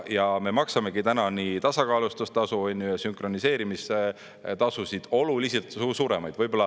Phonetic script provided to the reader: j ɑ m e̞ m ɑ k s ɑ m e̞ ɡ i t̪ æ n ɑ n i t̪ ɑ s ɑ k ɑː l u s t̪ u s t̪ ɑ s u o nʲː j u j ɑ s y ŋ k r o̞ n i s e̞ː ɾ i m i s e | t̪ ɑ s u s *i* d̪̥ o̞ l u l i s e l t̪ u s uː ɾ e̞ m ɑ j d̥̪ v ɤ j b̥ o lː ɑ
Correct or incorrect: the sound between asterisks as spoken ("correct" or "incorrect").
correct